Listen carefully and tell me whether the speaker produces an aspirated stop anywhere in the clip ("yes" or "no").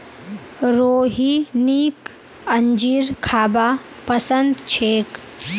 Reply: yes